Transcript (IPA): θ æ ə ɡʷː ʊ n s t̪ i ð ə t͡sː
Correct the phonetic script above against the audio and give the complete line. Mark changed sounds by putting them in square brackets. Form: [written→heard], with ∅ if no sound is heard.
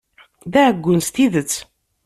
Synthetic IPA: [θ→ð] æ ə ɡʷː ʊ n s t̪ i ð ə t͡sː